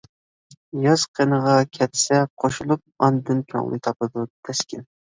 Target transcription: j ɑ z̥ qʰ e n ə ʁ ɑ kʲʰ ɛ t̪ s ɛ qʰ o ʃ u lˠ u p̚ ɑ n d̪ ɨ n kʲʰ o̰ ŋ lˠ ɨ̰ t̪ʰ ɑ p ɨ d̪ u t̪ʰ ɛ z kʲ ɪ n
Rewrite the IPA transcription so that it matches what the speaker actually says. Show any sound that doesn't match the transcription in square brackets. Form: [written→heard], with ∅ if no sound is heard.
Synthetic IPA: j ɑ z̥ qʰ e n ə ʁ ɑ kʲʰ ɛ t̪ s ɛ qʰ o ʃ u lˠ u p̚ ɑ n d̪ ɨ n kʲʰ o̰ ŋ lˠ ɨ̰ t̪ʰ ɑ p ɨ d̪ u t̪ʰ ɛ [z→s] kʲ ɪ n